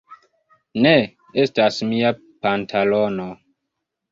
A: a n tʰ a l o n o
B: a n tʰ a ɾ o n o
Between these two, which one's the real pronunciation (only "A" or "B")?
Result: A